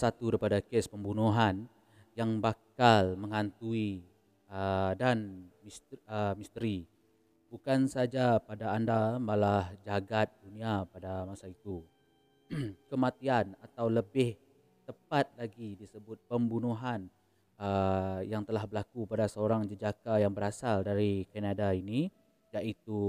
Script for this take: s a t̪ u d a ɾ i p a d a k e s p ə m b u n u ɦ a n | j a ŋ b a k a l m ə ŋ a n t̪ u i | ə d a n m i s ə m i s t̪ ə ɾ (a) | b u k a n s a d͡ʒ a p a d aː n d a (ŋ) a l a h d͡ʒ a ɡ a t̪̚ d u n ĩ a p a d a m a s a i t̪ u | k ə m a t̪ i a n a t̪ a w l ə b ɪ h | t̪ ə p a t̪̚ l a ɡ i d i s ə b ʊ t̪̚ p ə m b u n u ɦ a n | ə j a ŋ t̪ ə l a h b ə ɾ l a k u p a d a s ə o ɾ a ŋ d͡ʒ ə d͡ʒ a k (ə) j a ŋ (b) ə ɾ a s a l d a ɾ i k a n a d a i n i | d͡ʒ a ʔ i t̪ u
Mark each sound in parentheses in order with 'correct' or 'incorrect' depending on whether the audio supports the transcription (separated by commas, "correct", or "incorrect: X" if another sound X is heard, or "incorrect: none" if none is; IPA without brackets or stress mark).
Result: incorrect: i, incorrect: m, incorrect: a, correct